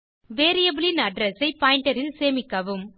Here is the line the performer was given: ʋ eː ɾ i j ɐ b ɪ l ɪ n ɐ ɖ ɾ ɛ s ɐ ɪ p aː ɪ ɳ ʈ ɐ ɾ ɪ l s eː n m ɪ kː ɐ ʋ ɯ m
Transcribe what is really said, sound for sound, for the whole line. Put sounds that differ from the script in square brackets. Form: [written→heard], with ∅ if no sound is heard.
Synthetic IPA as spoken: ʋ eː ɾ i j ɐ b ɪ l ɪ n ɐ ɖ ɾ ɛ s ɐ ɪ p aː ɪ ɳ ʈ ɐ ɾ ɪ l s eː [n→∅] m ɪ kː ɐ ʋ ɯ m